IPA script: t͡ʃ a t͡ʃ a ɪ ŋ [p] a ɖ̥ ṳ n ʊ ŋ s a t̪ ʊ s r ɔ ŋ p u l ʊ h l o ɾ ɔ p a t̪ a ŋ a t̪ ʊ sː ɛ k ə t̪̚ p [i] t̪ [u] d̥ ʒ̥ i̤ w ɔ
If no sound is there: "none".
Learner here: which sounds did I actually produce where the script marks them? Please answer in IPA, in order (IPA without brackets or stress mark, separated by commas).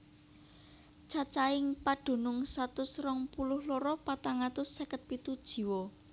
p, i, u